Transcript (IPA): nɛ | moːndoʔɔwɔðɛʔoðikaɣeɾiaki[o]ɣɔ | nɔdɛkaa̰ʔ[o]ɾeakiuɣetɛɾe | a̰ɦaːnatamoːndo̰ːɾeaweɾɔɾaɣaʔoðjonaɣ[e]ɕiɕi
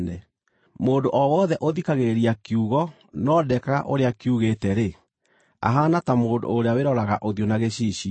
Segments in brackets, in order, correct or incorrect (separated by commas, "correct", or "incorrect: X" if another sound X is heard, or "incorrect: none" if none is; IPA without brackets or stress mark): incorrect: u, correct, correct